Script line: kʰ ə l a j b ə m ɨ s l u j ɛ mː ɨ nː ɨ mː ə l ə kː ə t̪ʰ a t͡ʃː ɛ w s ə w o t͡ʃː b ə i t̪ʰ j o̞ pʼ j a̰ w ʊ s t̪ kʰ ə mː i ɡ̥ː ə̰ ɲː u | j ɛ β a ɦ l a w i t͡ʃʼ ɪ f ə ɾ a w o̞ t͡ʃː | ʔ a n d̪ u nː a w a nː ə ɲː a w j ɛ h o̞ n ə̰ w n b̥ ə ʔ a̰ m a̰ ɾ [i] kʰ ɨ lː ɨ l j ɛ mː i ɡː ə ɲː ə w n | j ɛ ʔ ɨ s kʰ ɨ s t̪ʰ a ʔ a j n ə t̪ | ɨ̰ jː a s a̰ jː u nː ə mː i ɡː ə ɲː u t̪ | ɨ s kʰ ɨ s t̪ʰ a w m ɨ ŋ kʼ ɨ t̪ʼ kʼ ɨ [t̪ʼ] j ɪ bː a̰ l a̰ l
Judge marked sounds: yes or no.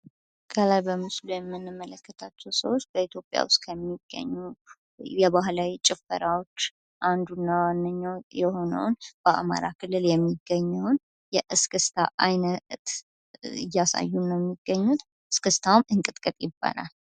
no, yes

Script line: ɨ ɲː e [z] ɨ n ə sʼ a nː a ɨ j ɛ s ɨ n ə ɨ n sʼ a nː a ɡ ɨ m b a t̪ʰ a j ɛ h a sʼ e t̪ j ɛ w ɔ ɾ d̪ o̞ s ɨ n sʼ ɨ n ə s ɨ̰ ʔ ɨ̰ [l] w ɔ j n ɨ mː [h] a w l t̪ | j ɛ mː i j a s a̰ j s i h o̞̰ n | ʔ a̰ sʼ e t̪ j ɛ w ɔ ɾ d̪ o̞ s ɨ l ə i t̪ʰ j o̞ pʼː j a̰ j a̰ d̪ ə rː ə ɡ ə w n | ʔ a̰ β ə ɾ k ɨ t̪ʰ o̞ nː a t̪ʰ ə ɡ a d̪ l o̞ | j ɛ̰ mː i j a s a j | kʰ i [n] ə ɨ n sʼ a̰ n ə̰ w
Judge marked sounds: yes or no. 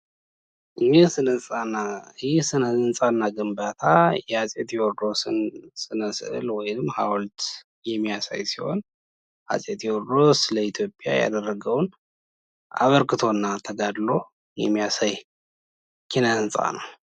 no, yes, yes, yes

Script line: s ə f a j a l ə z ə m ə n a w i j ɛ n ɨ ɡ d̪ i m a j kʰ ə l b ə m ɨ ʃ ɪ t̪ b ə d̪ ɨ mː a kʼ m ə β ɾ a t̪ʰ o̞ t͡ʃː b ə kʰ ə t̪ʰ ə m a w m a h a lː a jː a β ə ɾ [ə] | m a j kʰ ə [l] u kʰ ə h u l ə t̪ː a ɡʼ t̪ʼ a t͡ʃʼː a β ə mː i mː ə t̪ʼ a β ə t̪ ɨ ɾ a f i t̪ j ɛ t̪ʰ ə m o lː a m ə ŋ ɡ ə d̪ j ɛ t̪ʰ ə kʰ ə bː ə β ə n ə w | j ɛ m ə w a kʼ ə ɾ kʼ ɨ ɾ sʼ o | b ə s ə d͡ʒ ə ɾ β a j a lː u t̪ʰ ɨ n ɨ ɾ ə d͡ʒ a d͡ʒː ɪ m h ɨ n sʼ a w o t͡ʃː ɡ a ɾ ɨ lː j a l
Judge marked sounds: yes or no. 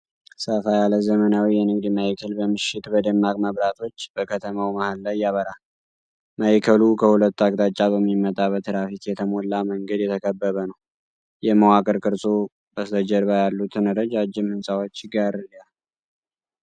no, yes

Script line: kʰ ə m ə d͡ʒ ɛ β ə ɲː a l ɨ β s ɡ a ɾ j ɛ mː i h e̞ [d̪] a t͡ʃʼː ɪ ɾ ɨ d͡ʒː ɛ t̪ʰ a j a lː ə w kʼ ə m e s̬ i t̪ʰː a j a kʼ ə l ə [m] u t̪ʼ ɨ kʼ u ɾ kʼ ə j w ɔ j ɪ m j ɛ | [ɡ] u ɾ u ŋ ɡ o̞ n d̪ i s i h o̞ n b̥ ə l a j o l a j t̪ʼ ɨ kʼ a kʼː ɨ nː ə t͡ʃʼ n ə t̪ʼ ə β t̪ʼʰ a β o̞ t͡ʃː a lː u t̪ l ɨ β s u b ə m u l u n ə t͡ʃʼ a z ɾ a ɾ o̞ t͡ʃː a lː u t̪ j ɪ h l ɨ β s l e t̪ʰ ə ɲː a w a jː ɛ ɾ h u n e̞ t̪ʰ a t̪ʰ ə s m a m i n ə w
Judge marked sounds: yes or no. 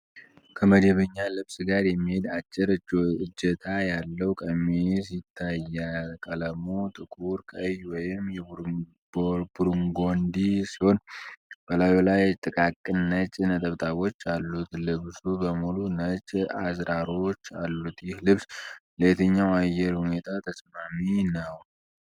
yes, yes, no

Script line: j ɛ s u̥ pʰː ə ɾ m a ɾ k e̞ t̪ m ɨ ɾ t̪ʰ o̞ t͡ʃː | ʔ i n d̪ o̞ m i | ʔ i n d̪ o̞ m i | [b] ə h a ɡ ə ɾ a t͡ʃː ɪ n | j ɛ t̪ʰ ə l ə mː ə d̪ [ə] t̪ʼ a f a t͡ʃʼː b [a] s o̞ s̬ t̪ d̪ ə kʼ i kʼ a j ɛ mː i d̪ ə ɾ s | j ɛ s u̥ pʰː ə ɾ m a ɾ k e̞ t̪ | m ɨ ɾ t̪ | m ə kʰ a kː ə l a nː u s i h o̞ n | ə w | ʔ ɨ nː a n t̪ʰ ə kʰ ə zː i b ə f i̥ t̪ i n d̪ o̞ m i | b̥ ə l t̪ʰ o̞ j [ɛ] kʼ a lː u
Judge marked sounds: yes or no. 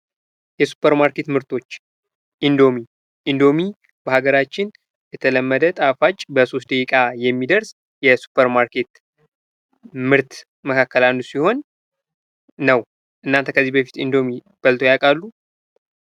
yes, yes, no, no

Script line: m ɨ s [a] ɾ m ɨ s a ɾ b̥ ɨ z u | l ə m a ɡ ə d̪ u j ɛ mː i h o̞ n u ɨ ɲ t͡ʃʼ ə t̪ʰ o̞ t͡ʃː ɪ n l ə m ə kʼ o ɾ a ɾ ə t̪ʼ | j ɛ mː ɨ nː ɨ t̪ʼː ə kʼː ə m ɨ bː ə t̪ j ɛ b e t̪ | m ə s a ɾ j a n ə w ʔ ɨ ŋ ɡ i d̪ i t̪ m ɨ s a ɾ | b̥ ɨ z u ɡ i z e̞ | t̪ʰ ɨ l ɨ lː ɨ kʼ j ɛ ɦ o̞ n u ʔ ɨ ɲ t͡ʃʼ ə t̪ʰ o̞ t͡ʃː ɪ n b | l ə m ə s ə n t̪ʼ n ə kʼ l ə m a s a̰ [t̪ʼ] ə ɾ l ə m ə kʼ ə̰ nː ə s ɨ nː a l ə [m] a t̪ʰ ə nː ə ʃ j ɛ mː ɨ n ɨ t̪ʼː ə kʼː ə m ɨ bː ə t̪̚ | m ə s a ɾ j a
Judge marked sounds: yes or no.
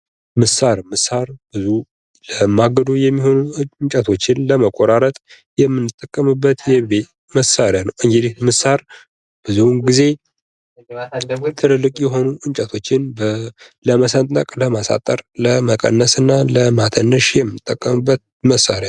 yes, yes, yes

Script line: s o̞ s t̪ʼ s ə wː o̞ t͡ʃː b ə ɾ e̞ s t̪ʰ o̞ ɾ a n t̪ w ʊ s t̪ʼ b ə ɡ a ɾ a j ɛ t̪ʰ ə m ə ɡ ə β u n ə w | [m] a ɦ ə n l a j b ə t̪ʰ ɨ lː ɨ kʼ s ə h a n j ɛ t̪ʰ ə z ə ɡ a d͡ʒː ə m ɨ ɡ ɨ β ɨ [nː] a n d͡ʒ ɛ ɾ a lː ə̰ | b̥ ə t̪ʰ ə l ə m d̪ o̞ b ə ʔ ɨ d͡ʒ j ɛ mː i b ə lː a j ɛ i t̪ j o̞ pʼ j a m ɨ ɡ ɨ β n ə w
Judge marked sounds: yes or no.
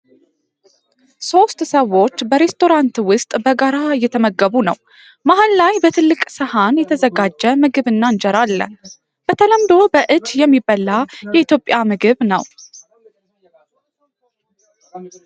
yes, yes

